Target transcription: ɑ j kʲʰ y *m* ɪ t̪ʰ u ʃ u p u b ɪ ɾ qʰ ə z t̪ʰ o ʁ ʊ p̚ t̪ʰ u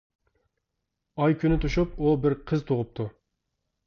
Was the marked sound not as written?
yes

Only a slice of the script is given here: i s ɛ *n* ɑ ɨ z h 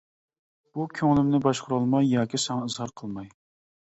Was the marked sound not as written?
yes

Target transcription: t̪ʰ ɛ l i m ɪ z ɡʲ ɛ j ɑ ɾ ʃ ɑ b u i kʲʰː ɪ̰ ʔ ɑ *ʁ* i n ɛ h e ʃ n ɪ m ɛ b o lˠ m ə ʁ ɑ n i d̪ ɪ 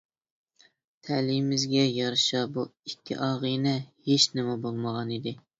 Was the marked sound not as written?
no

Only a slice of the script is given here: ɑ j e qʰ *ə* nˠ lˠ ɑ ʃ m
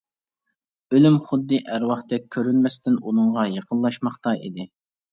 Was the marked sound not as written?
no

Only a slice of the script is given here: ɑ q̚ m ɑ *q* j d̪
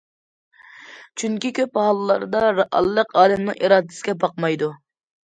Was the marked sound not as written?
yes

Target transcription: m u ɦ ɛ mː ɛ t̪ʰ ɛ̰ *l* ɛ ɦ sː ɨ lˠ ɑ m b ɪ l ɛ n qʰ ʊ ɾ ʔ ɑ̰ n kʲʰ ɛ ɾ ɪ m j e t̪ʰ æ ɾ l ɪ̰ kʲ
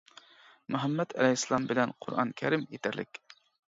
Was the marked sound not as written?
no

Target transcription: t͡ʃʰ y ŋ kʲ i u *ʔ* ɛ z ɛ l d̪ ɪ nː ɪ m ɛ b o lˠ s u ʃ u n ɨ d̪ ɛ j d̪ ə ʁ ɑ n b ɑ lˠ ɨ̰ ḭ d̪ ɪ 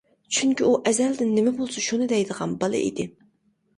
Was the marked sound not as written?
no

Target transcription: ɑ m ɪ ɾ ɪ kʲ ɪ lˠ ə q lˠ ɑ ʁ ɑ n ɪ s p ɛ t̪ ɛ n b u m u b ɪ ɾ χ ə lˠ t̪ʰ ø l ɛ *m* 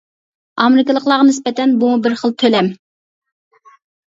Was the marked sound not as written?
no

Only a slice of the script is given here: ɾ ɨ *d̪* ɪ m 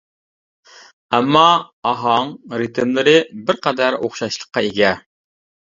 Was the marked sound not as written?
yes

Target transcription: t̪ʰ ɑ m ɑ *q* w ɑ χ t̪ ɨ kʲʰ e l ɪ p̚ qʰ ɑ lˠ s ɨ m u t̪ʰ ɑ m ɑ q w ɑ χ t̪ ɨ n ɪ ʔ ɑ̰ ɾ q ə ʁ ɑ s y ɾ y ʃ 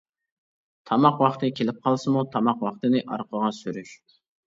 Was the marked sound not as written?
no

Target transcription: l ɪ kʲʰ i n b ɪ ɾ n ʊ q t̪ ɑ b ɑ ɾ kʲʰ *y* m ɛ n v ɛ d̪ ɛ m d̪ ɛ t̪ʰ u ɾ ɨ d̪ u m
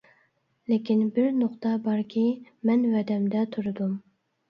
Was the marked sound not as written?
yes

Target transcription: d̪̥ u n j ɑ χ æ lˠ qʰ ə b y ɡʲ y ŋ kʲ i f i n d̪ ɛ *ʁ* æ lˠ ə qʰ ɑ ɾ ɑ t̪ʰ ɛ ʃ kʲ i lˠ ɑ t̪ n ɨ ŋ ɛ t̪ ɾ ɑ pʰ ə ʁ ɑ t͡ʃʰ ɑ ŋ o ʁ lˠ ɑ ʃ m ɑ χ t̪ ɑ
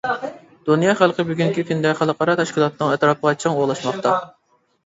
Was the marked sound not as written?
yes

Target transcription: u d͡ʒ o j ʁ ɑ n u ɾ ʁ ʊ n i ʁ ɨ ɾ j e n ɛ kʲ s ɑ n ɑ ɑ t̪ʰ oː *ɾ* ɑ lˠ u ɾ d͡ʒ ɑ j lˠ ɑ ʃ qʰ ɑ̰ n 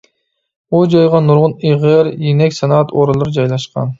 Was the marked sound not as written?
no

